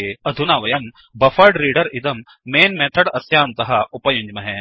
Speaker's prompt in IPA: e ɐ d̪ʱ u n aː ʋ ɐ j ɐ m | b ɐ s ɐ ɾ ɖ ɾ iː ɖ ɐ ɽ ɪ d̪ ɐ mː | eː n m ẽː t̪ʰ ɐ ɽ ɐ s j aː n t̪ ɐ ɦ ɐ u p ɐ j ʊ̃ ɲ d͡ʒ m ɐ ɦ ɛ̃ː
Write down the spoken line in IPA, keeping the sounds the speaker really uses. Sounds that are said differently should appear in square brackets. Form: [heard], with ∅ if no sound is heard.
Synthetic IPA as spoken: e ɐ d̪ʱ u n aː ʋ ɐ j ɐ m | b ɐ [f] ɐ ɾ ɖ ɾ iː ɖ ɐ [ɾ] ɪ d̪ ɐ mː | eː n m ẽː t̪ʰ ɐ ɽ ɐ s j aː n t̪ ɐ ɦ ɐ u p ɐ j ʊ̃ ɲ d͡ʒ m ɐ ɦ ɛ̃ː

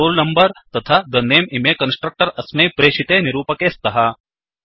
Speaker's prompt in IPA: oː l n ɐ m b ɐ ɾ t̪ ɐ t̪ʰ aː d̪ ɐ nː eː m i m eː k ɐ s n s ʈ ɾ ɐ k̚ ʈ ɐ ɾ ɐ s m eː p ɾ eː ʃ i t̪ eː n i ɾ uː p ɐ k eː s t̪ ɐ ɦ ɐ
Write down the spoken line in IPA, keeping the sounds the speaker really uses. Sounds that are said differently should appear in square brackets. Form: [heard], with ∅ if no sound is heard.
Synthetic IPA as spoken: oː l n ɐ m b ɐ ɾ t̪ ɐ t̪ʰ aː d̪ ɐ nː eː m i m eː k ɐ [∅] n s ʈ ɾ ɐ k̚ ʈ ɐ ɾ ɐ s m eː p ɾ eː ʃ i t̪ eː n i ɾ uː p ɐ k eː s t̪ ɐ ɦ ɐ

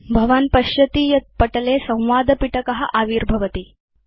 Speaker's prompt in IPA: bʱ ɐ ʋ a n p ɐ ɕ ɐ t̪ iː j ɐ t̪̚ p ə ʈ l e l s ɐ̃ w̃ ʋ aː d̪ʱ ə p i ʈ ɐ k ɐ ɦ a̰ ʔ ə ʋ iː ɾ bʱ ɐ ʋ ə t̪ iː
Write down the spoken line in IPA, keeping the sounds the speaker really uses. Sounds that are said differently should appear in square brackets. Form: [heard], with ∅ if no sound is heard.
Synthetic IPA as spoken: bʱ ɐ ʋ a n p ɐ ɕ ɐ t̪ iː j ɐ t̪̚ p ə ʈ l e [∅] s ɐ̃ w̃ ʋ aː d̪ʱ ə p i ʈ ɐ k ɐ ɦ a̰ ʔ [a] ʋ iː ɾ bʱ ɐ ʋ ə t̪ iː

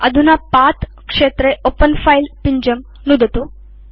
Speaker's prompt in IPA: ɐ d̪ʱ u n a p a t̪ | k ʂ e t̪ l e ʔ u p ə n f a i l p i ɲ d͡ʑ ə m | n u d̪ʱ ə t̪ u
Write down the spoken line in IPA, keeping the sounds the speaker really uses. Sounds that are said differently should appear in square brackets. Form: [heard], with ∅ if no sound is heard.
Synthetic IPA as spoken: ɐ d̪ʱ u n a p a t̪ | k ʂ e t̪ [ɾ] e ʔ [o] p ə n f a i l p i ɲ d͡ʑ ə m | n u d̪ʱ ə t̪ u

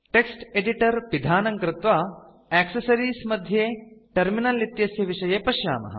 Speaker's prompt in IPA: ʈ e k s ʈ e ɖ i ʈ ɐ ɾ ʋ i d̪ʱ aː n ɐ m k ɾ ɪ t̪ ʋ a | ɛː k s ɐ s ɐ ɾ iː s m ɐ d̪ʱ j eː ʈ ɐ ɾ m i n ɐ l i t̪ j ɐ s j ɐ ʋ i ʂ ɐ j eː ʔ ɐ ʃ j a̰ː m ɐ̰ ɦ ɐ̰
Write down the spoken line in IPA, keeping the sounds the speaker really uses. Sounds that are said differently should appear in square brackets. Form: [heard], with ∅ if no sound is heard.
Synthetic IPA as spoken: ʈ e k s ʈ e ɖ i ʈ ɐ ɾ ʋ i d̪ʱ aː n ɐ [ŋ] k ɾ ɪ t̪ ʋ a | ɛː k s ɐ s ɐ ɾ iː s m ɐ d̪ʱ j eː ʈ ɐ ɾ m i n ɐ l i t̪ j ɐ s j ɐ ʋ i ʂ ɐ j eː [p] ɐ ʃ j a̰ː m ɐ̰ ɦ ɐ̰

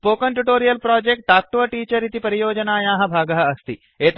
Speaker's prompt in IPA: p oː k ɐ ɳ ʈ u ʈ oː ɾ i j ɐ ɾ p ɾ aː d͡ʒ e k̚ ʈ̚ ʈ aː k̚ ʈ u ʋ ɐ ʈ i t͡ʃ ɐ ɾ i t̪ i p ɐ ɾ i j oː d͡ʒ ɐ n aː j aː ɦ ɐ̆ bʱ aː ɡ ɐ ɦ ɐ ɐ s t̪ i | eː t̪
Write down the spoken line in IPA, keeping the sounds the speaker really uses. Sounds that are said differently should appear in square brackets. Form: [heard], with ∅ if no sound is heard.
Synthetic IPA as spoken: p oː k ɐ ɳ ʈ u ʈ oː ɾ i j ɐ [l] p ɾ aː d͡ʒ e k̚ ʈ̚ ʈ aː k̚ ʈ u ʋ ɐ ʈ [iː] t͡ʃ ɐ ɾ i t̪ i p ɐ ɾ i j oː d͡ʒ ɐ n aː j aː ɦ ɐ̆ bʱ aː ɡ ɐ ɦ ɐ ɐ s t̪ i | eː t̪

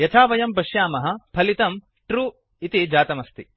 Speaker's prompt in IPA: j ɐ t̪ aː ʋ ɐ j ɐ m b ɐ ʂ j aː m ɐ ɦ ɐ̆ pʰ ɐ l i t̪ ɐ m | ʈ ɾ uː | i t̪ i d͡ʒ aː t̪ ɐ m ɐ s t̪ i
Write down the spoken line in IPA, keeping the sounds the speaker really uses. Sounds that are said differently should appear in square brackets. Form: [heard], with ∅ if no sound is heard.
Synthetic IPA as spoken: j ɐ [t̪ʰ] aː ʋ ɐ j ɐ m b ɐ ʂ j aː m ɐ ɦ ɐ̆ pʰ ɐ l i t̪ ɐ m | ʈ ɾ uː | i t̪ i d͡ʒ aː t̪ ɐ m ɐ s t̪ i

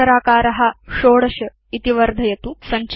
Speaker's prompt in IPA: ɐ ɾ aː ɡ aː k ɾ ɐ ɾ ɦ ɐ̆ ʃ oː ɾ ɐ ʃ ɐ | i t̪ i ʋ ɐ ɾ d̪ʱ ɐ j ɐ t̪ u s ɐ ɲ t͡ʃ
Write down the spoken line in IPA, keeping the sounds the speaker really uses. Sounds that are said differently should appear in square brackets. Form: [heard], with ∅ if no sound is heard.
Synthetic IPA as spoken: ɐ ɾ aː [k] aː [∅] ɾ ɐ [∅] ɦ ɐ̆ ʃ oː [ɽ] ɐ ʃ ɐ | i t̪ i ʋ ɐ ɾ d̪ʱ ɐ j ɐ t̪ u s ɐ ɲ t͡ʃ

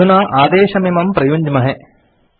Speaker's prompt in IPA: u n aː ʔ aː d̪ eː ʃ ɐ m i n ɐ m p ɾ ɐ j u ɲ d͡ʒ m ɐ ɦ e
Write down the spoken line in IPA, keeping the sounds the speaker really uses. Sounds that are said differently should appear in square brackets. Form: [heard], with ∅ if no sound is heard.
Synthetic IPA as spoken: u n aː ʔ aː d̪ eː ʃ ɐ m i [m] ɐ m p ɾ ɐ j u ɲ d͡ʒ m ɐ ɦ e

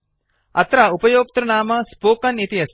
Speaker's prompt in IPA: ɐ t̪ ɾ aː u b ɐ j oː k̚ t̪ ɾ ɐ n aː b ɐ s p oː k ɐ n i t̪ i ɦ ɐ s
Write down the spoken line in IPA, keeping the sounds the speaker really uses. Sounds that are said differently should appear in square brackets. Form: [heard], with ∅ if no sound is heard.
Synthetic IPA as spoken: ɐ t̪ ɾ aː u [p] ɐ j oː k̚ t̪ ɾ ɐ n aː [m] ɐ s p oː k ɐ n i t̪ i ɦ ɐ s

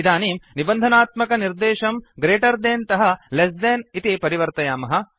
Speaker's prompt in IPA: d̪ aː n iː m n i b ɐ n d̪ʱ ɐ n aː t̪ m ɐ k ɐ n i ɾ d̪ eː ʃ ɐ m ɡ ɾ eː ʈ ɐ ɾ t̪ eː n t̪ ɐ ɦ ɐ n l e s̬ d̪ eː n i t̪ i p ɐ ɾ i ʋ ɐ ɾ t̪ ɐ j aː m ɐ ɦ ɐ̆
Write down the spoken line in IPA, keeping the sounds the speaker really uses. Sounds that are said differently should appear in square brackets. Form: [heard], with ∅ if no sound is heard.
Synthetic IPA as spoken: d̪ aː n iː m n i b ɐ n d̪ʱ ɐ n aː t̪ m ɐ k ɐ n i ɾ d̪ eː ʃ ɐ m ɡ ɾ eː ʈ ɐ ɾ [d̪] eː n t̪ ɐ ɦ ɐ [∅] l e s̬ d̪ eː n i t̪ i p ɐ ɾ i ʋ ɐ ɾ t̪ ɐ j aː m ɐ ɦ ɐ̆

